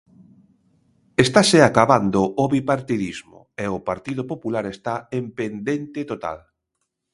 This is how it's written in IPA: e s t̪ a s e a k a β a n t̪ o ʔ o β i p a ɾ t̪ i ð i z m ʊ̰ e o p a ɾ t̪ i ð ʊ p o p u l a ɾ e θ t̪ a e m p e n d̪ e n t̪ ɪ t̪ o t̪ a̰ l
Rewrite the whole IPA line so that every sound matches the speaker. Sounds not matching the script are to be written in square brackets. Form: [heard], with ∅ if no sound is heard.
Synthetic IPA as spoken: e s t̪ a s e a k a β a n [d̪] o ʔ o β i p a ɾ t̪ i ð i z m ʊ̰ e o p a ɾ t̪ i ð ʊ p o p u l a ɾ e [s] t̪ a e m p e n d̪ e n t̪ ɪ t̪ o t̪ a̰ l